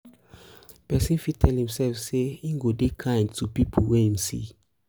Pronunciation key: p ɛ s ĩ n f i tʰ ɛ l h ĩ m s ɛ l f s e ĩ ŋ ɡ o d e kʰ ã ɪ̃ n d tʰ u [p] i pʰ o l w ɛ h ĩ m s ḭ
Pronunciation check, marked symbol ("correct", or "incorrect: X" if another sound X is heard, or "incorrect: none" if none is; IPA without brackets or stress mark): correct